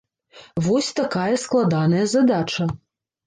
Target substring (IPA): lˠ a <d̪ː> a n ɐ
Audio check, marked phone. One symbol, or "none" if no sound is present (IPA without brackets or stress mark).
d̪